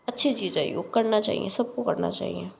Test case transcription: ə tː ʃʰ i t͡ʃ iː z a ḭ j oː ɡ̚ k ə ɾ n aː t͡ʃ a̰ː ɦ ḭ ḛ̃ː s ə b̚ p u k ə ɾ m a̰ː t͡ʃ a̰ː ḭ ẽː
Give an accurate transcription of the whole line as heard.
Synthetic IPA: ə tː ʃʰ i t͡ʃ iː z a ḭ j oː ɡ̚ k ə ɾ n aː t͡ʃ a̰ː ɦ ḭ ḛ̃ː s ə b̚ k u k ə ɾ n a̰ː t͡ʃ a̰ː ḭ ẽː